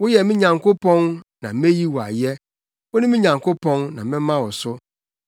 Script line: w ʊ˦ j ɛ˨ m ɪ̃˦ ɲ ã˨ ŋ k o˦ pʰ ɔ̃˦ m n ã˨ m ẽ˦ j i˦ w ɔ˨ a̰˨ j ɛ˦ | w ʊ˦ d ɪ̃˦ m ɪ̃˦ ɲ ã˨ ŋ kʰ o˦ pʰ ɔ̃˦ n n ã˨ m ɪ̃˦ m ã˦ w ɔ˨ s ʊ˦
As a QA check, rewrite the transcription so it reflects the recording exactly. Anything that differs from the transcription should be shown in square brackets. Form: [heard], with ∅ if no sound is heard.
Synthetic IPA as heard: w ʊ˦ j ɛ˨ m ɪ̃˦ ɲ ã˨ ŋ k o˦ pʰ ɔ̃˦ [n] n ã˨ m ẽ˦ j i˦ w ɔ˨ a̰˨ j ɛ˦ | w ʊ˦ [n] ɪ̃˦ m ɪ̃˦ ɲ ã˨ ŋ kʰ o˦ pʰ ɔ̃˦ n n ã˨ m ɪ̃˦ m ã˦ w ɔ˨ s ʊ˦